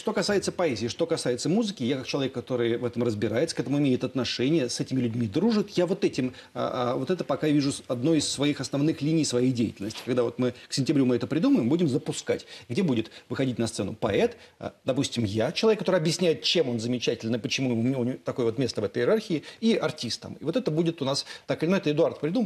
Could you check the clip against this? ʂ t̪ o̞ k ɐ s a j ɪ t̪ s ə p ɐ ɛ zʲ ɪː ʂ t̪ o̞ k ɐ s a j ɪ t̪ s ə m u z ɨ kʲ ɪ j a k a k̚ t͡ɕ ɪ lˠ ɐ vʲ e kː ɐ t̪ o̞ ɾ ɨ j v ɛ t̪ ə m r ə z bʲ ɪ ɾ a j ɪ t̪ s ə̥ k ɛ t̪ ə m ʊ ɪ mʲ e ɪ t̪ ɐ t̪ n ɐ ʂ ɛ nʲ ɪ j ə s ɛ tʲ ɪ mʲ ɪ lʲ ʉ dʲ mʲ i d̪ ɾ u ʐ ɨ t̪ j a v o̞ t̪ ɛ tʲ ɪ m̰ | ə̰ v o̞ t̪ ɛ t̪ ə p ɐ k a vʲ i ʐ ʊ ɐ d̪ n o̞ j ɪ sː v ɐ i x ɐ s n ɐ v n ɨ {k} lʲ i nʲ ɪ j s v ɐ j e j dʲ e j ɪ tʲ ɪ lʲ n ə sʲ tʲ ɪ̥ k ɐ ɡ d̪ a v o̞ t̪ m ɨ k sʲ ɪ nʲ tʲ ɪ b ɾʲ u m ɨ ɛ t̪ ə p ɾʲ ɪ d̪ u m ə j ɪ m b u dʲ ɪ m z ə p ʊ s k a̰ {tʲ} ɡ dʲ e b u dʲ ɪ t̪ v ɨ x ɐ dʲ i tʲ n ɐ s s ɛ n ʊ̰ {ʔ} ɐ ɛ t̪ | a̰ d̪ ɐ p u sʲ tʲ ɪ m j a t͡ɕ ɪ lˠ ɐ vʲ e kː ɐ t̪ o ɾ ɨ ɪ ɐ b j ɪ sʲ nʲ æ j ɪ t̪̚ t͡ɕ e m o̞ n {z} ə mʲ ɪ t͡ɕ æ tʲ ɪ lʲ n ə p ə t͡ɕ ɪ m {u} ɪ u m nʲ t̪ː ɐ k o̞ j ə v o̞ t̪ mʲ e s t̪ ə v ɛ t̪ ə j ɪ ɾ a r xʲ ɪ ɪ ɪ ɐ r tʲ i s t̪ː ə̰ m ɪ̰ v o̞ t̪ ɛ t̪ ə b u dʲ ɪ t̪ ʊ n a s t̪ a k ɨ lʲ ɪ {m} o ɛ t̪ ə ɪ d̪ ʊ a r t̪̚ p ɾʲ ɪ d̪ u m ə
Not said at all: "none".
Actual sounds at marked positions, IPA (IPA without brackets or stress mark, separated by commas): x, tʲ, p, z, u, n